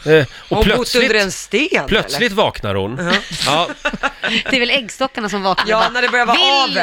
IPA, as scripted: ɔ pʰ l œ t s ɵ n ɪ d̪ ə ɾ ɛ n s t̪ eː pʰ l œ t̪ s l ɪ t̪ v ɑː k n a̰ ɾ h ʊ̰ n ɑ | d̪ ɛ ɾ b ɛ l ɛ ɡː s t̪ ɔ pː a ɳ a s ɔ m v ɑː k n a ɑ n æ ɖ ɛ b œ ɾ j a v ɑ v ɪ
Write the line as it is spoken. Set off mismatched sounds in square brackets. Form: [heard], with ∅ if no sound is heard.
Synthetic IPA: ɔ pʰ l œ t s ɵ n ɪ d̪ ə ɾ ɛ n s t̪ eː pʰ l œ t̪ s l ɪ t̪ v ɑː k n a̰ ɾ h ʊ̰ n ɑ | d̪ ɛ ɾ [v] ɛ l ɛ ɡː s t̪ ɔ [kː] a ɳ a s ɔ m v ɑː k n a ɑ n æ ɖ ɛ b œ ɾ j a v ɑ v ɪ